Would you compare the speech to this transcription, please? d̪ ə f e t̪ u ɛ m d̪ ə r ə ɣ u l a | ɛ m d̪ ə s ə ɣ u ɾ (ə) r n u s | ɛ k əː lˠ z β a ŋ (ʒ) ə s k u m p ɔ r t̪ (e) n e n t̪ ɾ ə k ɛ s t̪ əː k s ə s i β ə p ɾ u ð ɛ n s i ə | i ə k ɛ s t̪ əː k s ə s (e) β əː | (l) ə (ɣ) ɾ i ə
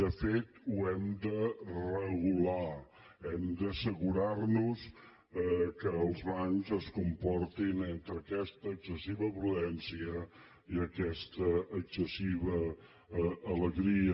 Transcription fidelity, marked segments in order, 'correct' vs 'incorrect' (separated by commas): incorrect, incorrect, incorrect, incorrect, correct, correct